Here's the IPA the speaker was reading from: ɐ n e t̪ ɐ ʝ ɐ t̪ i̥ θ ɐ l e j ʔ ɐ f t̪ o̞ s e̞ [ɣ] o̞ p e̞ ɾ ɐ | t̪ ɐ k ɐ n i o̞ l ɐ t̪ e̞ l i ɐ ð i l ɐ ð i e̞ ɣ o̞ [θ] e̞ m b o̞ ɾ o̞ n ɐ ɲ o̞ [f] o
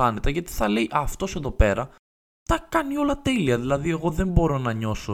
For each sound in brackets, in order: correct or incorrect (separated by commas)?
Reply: incorrect, incorrect, incorrect